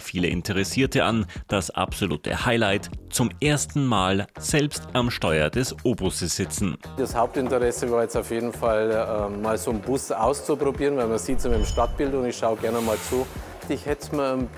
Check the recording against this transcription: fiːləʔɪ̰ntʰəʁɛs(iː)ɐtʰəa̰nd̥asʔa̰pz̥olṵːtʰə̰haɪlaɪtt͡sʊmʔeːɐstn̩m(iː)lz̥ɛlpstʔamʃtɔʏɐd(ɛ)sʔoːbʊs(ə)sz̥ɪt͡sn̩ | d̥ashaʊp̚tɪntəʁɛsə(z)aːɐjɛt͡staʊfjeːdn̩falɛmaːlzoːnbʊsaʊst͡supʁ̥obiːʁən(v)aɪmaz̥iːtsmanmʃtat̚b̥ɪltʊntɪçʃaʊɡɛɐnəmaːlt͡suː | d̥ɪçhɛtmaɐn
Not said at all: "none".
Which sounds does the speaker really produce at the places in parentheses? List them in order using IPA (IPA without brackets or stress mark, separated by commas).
iː, aː, ɛ, ə, v, v